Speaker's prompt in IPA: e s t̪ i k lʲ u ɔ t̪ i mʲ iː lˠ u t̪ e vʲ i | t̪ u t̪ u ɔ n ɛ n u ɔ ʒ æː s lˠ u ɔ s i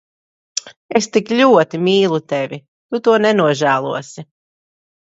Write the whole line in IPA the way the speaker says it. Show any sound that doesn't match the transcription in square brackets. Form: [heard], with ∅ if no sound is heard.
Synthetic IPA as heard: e s t̪ i k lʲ u ɔ t̪ i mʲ iː lˠ u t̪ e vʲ i | t̪ u t̪ u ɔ n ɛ n u ɔ ʒ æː [∅] lˠ u ɔ s i